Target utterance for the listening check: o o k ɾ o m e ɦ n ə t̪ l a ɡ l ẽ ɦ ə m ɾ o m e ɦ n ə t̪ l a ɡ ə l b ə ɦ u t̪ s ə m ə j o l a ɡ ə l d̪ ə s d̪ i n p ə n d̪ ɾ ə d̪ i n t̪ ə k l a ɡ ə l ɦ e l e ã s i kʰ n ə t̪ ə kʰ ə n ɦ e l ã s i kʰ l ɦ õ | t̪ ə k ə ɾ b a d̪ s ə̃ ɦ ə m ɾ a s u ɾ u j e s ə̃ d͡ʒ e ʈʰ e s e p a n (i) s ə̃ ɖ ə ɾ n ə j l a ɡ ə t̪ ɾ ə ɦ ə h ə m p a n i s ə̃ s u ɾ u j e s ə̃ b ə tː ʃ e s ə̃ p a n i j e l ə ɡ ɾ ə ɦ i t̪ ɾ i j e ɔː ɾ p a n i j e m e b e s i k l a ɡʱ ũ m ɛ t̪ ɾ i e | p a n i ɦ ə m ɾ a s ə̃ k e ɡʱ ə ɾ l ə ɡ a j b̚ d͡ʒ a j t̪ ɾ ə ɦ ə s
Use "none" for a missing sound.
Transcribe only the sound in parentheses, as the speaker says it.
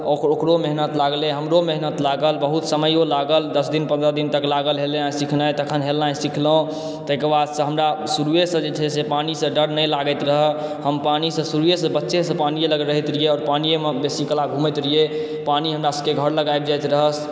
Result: i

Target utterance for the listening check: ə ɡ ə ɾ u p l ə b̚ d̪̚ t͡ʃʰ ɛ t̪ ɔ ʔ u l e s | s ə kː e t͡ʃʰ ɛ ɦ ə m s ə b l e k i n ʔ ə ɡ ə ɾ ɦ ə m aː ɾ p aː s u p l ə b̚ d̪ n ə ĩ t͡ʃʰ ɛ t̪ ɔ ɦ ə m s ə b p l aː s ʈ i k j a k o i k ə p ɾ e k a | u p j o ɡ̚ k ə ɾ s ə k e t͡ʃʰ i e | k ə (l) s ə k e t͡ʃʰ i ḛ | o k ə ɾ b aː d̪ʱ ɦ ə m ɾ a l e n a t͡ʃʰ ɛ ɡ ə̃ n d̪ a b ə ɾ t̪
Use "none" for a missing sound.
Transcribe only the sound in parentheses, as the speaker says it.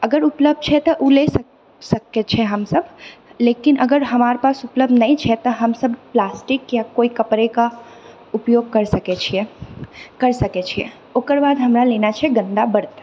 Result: ɾ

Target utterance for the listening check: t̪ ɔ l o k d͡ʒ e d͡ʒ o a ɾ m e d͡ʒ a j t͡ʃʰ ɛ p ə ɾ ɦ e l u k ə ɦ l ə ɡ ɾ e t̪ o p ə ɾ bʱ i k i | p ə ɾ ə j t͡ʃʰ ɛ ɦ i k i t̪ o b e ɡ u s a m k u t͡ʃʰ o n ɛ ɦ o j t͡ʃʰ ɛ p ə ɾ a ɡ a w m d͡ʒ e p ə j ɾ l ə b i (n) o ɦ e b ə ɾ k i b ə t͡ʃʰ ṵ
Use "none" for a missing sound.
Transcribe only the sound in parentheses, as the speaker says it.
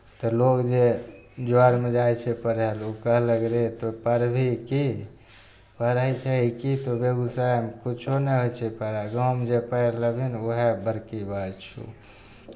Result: n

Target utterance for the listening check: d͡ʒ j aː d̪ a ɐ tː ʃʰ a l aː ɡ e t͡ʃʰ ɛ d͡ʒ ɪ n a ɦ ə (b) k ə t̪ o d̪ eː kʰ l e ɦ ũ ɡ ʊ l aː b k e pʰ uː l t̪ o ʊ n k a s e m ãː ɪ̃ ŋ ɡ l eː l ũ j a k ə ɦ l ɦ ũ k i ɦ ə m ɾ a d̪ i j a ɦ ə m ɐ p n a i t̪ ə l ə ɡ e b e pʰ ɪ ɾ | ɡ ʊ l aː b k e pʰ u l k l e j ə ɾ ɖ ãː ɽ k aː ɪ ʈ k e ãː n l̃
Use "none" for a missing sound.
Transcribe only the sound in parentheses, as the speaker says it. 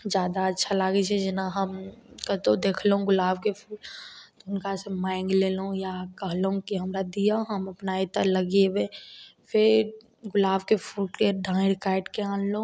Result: m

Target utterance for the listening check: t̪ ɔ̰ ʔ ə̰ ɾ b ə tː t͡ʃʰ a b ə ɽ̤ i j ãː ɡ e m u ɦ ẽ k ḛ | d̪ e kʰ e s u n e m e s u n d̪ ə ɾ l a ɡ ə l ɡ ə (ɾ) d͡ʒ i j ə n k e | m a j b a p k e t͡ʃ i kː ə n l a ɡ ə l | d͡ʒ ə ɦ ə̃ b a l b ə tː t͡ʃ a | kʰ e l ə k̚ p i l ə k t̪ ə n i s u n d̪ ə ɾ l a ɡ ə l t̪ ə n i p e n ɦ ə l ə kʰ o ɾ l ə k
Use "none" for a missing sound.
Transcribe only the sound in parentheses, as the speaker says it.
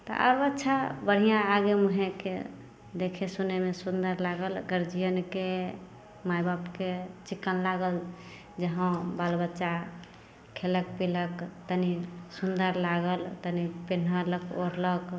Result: ɾ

